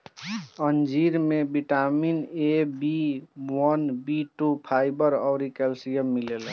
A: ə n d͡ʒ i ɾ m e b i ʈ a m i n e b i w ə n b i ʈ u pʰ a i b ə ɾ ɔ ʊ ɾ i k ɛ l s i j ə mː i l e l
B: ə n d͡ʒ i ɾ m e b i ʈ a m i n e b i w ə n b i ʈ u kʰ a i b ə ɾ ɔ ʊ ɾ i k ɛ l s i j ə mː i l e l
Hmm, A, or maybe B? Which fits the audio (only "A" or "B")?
A